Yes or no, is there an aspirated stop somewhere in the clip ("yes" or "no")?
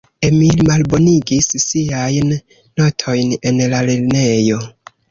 yes